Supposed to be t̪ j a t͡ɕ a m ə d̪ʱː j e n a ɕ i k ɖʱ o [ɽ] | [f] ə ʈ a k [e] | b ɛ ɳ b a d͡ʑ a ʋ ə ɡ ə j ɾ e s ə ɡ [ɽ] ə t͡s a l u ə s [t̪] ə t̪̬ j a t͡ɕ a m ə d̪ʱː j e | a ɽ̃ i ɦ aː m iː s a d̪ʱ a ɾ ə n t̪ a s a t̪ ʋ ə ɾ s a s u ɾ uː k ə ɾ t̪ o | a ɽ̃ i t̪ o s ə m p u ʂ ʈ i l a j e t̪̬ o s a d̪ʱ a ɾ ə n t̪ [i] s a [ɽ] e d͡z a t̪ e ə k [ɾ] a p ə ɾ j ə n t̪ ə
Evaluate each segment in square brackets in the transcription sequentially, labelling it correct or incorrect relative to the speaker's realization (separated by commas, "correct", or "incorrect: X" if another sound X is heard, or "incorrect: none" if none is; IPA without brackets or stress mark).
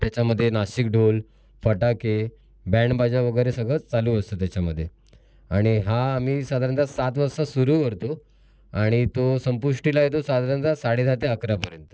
incorrect: l, correct, correct, incorrect: ɭ, correct, incorrect: a, correct, correct